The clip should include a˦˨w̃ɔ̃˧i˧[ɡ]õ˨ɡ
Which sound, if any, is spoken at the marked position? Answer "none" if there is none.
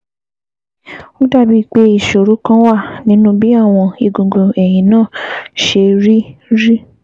ɡ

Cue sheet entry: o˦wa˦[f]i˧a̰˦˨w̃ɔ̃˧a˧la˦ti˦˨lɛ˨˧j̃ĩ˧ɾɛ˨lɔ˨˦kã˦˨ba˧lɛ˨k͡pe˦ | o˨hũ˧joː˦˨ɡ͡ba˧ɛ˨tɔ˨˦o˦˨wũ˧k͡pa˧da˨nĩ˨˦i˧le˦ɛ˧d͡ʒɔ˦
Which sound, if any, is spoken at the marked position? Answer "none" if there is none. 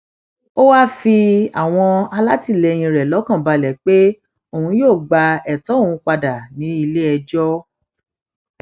f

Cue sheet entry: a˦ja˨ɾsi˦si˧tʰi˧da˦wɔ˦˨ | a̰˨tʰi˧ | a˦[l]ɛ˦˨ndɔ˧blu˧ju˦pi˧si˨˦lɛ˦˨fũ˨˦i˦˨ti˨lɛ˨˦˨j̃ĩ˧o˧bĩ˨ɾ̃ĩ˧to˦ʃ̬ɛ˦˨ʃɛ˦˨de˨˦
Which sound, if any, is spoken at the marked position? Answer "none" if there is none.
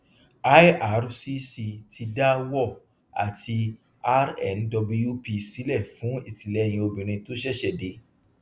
ɾ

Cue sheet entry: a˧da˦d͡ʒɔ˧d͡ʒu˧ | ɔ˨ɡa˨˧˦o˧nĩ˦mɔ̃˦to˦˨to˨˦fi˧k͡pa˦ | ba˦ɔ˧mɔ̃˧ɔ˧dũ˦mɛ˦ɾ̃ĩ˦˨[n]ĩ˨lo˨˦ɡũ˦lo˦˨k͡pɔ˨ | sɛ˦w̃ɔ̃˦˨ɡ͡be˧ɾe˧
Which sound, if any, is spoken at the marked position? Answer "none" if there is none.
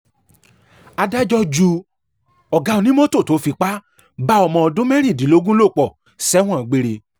d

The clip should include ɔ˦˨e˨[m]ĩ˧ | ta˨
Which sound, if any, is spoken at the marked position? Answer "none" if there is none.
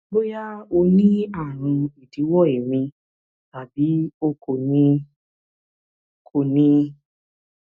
m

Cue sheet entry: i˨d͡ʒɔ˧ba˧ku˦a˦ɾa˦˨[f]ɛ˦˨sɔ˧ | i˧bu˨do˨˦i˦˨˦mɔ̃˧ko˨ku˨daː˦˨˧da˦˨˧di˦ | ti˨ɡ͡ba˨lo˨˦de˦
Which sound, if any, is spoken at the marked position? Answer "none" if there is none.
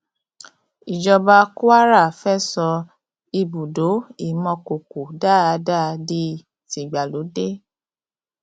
f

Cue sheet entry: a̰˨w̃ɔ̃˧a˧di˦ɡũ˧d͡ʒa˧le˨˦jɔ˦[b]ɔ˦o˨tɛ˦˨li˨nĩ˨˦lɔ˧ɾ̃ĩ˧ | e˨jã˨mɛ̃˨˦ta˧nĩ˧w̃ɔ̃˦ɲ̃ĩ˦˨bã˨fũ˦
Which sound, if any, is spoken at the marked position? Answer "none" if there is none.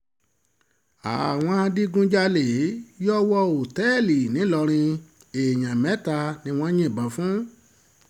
w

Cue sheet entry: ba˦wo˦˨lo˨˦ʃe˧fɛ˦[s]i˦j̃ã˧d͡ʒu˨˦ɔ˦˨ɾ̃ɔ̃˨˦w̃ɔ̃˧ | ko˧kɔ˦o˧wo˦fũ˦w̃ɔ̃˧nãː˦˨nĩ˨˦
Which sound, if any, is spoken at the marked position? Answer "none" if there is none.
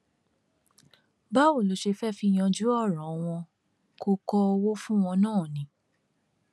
f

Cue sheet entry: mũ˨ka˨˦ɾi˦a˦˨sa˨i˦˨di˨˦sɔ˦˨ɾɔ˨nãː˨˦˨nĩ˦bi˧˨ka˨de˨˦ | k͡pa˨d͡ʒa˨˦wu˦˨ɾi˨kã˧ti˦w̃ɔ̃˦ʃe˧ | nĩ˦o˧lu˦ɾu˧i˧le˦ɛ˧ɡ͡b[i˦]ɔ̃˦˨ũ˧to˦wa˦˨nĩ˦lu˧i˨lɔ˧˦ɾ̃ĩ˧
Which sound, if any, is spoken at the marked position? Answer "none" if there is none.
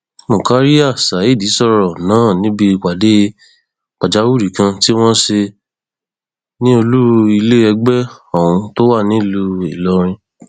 ɛ˦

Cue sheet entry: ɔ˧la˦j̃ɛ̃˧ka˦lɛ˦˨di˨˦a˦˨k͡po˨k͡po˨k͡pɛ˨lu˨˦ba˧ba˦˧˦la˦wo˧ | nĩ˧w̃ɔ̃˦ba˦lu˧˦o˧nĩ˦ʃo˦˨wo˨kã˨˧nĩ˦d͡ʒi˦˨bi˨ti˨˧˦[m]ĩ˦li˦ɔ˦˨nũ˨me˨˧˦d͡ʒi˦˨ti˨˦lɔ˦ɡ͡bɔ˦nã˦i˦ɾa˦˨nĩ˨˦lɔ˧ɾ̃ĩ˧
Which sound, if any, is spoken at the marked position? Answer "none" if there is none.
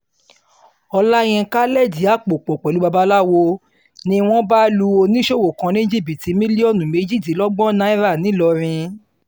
m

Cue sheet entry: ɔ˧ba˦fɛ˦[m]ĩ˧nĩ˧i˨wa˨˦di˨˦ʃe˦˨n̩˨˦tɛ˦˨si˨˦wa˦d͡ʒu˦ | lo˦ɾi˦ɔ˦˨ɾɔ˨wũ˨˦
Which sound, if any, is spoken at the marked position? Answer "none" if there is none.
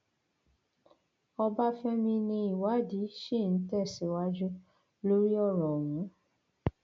m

